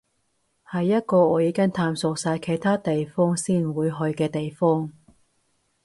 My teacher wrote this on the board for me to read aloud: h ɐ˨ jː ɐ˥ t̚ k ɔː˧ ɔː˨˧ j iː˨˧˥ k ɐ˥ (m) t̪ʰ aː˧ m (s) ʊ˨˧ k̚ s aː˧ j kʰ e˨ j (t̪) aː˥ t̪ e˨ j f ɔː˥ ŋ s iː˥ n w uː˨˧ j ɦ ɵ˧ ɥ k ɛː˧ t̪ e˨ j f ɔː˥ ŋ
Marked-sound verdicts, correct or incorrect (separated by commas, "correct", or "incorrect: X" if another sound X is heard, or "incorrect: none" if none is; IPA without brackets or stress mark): incorrect: ŋ, correct, incorrect: t̪ʰ